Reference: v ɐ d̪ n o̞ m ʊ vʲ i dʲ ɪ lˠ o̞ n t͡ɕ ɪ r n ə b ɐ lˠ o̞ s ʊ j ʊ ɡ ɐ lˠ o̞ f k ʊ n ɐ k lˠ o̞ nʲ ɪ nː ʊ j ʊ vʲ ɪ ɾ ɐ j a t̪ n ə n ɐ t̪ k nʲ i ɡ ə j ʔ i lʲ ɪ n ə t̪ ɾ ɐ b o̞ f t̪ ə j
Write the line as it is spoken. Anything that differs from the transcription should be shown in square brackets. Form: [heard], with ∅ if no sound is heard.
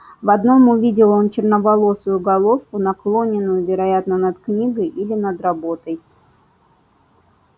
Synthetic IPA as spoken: v ɐ d̪ n o̞ m ʊ vʲ i dʲ ɪ lˠ o̞ n t͡ɕ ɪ r n ə [v] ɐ lˠ o̞ s ʊ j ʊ ɡ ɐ lˠ o̞ f k ʊ n ɐ k lˠ o̞ nʲ ɪ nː ʊ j ʊ vʲ ɪ ɾ ɐ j a t̪ n ə n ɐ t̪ k nʲ i ɡ ə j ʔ i lʲ ɪ n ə [d̪] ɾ ɐ b o̞ [∅] t̪ ə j